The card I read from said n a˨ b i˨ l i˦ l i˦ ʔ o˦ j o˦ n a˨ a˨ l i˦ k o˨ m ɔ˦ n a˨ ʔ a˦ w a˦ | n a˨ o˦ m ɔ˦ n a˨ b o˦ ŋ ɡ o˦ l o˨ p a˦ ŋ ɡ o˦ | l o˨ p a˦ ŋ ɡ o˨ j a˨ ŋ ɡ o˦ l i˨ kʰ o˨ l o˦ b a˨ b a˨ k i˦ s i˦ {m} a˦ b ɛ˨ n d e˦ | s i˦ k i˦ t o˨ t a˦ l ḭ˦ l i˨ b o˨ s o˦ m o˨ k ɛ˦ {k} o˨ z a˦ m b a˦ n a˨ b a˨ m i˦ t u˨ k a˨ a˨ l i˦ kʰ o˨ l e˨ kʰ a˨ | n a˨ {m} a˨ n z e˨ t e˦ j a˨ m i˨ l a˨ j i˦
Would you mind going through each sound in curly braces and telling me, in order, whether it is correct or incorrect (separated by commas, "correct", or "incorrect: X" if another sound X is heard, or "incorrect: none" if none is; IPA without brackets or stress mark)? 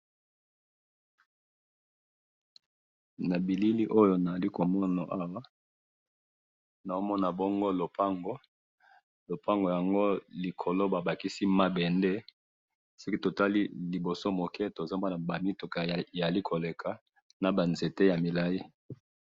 correct, incorrect: t, incorrect: b